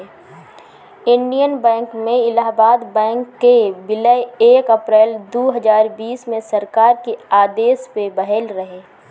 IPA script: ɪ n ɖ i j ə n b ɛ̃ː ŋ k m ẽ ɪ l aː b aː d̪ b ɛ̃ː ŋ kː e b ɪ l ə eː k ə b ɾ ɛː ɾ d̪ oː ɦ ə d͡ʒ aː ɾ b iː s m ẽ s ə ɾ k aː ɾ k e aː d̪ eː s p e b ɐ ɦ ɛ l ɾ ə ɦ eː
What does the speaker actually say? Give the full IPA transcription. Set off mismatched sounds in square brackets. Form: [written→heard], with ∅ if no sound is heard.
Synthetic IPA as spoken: ɪ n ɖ i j ə n b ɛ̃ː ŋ k m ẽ ɪ l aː b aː d̪ b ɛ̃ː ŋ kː e b ɪ l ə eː k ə [b→p] ɾ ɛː [ɾ→l] d̪ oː ɦ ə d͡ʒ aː ɾ b iː s m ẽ s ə ɾ k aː ɾ k e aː d̪ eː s p e b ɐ ɦ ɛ l ɾ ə ɦ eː